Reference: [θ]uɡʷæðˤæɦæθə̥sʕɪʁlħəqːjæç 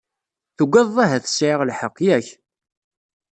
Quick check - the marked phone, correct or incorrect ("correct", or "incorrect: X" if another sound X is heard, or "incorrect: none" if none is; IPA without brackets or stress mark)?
correct